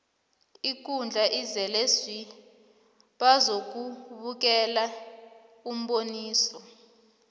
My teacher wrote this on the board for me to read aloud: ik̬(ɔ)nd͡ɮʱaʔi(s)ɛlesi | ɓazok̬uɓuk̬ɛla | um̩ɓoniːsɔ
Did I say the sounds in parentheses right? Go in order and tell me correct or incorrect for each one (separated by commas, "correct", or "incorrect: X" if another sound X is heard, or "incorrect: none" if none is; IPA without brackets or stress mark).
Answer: incorrect: u, incorrect: z